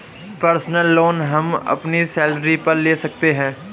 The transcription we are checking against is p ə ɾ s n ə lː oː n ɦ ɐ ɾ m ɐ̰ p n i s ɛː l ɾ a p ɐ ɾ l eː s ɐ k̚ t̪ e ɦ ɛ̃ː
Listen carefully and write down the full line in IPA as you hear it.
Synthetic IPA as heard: p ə ɾ s n ə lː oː n ɦ ɐ m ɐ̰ p n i s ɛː l ɾ i p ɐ ɾ l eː s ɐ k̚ t̪ e ɦ ɛ̃ː